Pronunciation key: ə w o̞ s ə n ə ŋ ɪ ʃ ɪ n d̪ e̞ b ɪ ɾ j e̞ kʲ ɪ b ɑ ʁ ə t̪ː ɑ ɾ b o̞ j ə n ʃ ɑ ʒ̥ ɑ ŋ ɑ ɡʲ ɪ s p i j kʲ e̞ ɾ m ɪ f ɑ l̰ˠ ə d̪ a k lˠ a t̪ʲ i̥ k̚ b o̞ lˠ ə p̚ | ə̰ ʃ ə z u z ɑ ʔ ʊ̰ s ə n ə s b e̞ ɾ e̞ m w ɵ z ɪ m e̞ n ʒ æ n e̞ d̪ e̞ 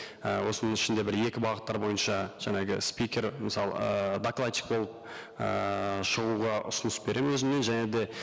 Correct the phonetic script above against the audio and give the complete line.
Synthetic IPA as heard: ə w o̞ s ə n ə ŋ ɪ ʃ ɪ n d̪ e̞ b ɪ ɾ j e̞ kʲ ɪ b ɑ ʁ ə t̪ː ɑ ɾ b o̞ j ə n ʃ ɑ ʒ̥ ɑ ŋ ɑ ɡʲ ɪ s p i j kʲ e̞ ɾ m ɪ s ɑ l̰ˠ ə d̪ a k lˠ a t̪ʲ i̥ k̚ b o̞ lˠ ə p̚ | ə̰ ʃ ə ʁ u ʁ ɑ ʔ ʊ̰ s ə n ə s b e̞ ɾ e̞ m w ɵ z ɪ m e̞ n ʒ æ n e̞ d̪ e̞